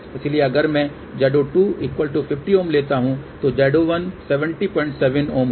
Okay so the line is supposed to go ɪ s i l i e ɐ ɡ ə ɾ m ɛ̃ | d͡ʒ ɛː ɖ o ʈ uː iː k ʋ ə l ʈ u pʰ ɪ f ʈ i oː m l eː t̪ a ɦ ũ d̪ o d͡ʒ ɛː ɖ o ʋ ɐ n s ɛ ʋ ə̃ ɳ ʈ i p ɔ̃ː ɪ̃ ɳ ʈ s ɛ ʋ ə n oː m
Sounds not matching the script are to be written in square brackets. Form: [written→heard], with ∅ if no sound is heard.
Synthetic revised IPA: ɪ s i l i e ɐ ɡ ə ɾ m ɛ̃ | d͡ʒ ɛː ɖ o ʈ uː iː k ʋ ə l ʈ u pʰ ɪ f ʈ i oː m l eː t̪ a ɦ ũ [d̪→t̪] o d͡ʒ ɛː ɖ o ʋ ɐ n s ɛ ʋ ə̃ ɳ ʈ i p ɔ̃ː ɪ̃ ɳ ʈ s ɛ ʋ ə n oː m